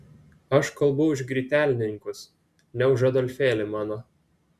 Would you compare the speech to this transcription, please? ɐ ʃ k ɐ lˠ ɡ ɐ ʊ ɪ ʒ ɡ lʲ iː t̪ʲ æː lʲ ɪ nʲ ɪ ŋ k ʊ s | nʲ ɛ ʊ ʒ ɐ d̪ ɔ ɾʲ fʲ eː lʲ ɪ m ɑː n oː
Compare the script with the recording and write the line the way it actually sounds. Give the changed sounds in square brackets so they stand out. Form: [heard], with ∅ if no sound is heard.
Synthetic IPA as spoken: ɐ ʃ k ɐ lˠ [b] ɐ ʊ ɪ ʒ ɡ [ɾʲ] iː t̪ʲ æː lʲ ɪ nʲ ɪ ŋ k ʊ s | nʲ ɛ ʊ ʒ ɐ d̪ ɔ [lʲ] fʲ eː lʲ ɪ m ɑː n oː